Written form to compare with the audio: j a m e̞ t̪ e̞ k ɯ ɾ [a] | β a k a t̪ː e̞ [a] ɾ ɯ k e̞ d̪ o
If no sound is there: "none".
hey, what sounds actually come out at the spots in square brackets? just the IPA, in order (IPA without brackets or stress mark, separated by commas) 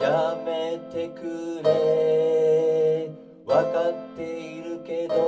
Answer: e, i